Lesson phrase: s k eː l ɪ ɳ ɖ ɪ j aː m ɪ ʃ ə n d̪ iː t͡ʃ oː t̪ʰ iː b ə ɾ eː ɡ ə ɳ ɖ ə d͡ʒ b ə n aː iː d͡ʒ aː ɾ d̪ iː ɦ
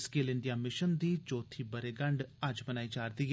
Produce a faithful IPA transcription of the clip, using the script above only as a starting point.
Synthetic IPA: s k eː l ɪ ɳ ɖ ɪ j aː m ɪ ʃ ə n d̪ iː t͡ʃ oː t̪ʰ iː b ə ɾ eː ɡ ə ɳ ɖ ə d͡ʒ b ə n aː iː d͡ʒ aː ɾ d̪ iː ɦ